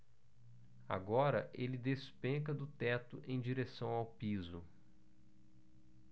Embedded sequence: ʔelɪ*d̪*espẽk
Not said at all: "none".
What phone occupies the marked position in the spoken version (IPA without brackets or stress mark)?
d̪